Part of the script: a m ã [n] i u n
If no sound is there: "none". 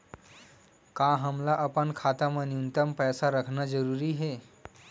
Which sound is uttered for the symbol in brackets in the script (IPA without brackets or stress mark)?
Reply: n